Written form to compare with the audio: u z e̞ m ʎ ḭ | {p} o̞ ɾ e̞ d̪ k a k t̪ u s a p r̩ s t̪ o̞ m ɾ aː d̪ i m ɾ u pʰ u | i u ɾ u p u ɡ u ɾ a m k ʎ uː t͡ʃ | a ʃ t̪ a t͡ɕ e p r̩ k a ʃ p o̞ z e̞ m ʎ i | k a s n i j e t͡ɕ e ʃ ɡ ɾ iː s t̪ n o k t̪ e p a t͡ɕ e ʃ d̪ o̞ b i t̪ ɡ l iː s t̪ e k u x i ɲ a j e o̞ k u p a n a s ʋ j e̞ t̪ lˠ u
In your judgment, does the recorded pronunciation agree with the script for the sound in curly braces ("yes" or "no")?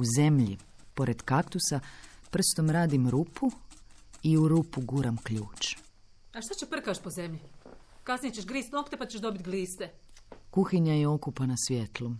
yes